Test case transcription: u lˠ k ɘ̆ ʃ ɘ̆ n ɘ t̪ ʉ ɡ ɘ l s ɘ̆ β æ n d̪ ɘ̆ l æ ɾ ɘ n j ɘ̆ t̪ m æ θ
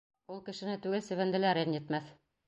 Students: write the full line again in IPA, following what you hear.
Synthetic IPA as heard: u lˠ k ɘ̆ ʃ ɘ̆ n ɘ t̪ ʉ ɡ ɘ l s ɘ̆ β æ n d̪ ɘ̆ l æ ɾ ɘ n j ɘ̆ t̪ m æ θ